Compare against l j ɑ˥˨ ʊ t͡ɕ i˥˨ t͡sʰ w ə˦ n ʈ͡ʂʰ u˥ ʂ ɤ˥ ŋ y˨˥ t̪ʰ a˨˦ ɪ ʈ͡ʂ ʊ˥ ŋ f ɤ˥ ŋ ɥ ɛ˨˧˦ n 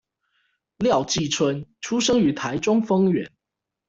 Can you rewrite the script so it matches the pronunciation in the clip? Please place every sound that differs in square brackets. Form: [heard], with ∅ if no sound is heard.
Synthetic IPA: l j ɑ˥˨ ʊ t͡ɕ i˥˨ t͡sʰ w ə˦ n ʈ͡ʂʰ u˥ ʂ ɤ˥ ŋ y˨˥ t̪ʰ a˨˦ ɪ ʈ͡ʂ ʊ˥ ŋ f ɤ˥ ŋ ɥ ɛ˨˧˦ n